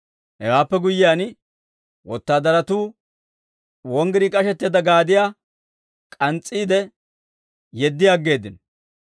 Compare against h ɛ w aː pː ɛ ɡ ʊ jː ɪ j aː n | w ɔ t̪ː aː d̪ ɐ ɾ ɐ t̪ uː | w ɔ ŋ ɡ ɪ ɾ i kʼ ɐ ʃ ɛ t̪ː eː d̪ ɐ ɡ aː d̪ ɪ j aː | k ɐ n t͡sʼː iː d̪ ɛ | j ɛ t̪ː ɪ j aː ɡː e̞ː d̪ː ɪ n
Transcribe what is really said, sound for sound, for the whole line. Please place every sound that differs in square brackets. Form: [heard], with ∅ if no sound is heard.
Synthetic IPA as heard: h ɛ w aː pː ɛ ɡ ʊ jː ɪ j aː n | w ɔ t̪ː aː d̪ ɐ ɾ ɐ t̪ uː | w ɔ ŋ ɡ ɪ ɾ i kʼ ɐ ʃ ɛ t̪ː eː d̪ ɐ ɡ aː d̪ ɪ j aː | [kʼ] ɐ n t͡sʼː iː d̪ ɛ | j ɛ [d̪ː] ɪ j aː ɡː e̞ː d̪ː ɪ n